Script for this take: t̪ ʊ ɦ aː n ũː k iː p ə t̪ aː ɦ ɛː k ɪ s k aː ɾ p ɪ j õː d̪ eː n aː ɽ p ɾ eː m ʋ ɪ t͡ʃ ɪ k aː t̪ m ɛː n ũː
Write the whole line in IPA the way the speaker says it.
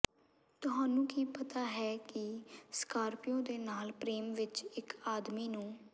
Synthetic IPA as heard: t̪ ʊ ɦ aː n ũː k iː p ə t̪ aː ɦ ɛː k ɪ s k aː ɾ p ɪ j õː d̪ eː n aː l p ɾ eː m ʋ ɪ t͡ʃ ɪ k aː d̪ m iː n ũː